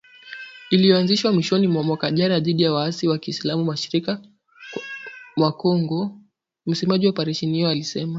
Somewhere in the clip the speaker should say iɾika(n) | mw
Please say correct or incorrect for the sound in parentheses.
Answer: incorrect: none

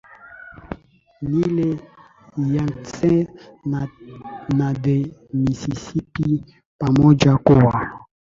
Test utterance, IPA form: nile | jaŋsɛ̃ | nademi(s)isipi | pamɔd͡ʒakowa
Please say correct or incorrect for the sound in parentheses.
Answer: correct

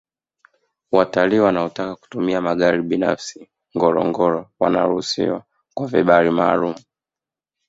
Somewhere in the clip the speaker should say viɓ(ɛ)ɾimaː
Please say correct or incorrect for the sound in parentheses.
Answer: incorrect: a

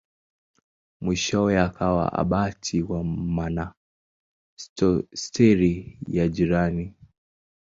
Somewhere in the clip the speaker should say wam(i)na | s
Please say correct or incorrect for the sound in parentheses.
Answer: incorrect: a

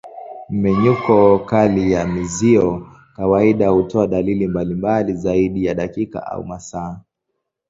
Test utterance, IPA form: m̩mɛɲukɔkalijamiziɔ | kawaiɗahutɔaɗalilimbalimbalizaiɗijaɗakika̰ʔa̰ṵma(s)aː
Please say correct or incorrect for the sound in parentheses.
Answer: correct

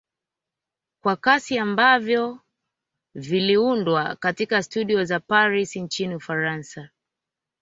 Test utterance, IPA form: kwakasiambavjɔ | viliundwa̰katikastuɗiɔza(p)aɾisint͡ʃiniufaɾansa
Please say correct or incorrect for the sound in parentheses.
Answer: correct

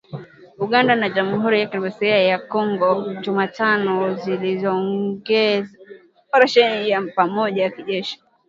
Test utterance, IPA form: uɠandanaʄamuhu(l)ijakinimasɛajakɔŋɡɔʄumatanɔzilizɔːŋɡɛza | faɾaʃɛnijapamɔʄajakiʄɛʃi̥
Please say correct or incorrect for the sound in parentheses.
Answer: incorrect: ɾ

